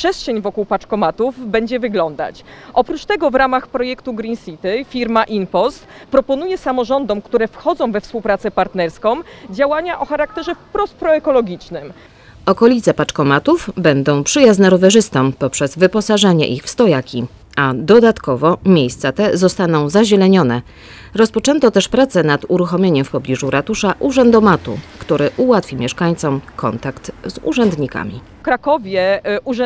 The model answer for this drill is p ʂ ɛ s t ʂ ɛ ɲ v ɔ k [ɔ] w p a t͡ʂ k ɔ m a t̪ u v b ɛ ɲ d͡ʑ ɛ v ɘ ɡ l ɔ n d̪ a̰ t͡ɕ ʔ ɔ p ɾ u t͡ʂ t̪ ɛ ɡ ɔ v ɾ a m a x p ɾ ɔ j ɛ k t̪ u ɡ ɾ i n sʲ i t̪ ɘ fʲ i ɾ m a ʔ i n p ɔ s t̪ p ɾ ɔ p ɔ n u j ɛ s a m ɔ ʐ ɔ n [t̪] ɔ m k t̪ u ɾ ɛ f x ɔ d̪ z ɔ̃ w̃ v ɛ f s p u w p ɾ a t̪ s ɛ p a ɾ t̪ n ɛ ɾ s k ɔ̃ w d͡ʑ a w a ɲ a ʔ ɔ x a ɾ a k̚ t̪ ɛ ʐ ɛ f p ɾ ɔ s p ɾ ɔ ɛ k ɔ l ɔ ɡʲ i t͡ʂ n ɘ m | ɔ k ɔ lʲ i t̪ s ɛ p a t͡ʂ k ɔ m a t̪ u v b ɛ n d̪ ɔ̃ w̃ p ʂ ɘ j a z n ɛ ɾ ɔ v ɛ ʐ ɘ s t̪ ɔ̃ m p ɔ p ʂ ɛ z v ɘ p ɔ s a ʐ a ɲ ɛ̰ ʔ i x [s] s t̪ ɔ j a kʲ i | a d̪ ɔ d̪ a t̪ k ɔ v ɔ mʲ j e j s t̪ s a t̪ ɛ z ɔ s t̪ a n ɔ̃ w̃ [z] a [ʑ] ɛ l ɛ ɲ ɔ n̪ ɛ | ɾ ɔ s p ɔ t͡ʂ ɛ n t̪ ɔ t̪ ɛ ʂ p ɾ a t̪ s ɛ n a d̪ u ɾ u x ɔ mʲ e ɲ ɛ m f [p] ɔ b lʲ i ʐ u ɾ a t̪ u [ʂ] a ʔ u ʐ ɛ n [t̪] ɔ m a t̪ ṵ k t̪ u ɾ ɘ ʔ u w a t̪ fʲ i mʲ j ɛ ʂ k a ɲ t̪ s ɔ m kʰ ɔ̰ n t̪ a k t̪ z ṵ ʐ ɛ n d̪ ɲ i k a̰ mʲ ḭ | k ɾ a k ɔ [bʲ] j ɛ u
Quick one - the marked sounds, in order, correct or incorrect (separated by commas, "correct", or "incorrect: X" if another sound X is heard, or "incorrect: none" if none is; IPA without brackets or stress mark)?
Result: incorrect: u, incorrect: d̪, incorrect: f, correct, correct, correct, correct, incorrect: d̪, incorrect: vʲ